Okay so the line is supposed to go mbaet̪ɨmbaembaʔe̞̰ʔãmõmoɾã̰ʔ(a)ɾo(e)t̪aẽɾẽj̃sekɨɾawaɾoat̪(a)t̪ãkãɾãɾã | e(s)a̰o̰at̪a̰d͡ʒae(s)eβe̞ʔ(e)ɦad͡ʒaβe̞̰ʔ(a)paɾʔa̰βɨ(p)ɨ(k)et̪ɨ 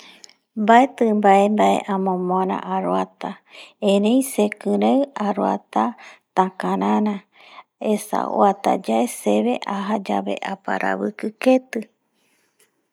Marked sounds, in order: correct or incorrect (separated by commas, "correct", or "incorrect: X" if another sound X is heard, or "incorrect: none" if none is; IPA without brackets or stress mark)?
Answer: correct, incorrect: a, correct, correct, correct, incorrect: a, correct, incorrect: k, correct